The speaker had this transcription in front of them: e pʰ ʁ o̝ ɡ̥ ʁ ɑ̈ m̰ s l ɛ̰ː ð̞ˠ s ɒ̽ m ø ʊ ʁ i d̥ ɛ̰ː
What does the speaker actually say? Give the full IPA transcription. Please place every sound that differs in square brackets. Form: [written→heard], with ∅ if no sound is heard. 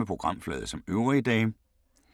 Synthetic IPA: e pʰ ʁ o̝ ɡ̥ ʁ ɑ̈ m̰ [s→f] l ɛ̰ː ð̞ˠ s ɒ̽ m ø ʊ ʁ i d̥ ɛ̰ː